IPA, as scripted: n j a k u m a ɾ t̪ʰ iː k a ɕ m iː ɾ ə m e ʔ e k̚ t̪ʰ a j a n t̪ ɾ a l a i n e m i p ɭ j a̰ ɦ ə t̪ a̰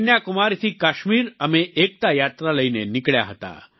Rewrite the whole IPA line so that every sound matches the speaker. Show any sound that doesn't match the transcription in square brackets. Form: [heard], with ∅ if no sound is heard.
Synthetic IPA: n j a k u m a ɾ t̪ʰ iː k a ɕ m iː ɾ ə m e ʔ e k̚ [t̪] a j a [∅] t̪ ɾ a l [ə] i n e [n] i [k] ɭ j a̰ ɦ ə t̪ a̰